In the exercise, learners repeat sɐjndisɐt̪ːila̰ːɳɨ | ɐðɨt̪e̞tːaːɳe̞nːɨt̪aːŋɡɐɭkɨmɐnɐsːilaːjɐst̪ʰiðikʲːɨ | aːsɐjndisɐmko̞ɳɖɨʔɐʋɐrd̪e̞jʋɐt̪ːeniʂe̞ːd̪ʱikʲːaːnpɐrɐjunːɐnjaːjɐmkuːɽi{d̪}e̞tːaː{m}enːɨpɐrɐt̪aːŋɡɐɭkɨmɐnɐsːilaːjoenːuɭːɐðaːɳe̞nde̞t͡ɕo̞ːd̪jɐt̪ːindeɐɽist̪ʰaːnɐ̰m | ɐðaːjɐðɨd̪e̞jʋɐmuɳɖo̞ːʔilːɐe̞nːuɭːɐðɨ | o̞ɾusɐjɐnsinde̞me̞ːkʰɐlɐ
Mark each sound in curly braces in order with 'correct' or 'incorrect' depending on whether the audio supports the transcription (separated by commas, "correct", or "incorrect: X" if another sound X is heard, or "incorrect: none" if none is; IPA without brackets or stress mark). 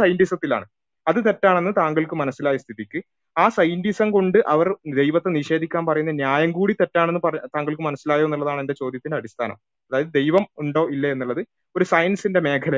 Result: incorrect: t̪, incorrect: ɳ